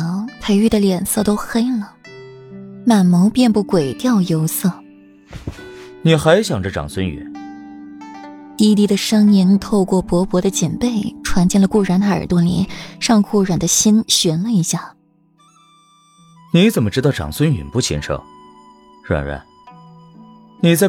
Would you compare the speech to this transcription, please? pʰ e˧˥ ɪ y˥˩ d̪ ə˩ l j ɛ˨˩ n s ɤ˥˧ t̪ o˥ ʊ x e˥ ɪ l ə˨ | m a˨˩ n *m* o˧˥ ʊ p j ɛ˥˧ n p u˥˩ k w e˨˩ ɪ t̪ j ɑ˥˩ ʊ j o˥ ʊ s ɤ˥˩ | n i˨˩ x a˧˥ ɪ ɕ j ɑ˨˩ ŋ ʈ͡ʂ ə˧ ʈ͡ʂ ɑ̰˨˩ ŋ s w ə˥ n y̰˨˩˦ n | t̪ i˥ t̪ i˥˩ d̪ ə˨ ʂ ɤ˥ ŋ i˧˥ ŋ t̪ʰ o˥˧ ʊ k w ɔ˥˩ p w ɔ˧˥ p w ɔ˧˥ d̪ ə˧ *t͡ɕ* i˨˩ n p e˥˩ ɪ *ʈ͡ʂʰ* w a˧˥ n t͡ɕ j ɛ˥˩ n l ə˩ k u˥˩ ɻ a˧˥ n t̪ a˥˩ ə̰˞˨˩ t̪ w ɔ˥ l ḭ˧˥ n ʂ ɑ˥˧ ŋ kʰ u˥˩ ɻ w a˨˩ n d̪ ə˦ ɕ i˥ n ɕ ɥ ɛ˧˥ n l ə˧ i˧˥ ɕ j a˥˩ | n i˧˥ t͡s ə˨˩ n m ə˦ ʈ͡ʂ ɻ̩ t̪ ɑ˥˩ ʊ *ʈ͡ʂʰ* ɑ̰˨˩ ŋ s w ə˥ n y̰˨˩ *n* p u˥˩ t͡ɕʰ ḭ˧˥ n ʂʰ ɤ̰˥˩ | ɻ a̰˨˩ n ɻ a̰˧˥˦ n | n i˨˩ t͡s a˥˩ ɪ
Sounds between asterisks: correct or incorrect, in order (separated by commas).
correct, correct, correct, incorrect, correct